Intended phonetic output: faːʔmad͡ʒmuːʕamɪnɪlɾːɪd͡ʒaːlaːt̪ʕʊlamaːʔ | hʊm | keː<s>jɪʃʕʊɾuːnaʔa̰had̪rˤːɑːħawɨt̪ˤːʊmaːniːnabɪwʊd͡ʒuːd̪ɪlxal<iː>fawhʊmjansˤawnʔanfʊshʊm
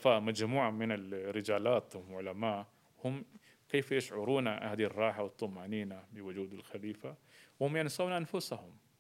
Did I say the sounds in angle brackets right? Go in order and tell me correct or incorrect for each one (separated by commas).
incorrect, correct